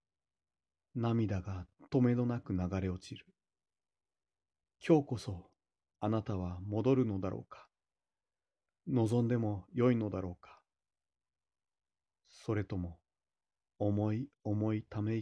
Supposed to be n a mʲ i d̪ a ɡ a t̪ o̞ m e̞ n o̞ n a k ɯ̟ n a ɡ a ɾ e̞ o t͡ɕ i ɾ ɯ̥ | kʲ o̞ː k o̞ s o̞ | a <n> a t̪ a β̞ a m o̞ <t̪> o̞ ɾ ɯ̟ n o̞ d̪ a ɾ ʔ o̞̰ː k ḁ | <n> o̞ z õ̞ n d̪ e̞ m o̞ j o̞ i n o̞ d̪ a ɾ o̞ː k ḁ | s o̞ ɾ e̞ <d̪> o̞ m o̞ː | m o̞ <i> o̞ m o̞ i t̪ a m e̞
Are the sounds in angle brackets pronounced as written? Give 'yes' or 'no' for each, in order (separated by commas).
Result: yes, no, yes, no, yes